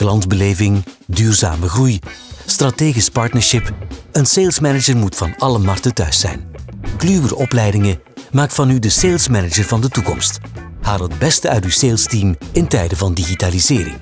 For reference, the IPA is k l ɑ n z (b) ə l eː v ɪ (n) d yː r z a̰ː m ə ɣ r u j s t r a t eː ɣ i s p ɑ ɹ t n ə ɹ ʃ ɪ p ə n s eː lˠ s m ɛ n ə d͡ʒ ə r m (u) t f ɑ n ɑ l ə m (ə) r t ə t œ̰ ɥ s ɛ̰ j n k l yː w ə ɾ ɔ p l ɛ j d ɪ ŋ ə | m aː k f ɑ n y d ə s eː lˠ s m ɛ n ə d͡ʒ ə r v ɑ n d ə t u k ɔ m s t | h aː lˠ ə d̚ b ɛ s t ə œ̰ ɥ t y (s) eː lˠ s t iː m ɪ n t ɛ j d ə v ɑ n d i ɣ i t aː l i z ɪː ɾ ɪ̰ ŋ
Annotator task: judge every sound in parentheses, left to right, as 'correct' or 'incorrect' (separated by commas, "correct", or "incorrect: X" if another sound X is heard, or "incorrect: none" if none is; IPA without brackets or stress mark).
correct, incorrect: ŋ, correct, incorrect: ɑ, correct